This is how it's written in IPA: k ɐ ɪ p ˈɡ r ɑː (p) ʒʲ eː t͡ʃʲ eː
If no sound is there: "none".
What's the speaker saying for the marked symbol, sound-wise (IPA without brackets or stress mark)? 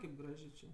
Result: none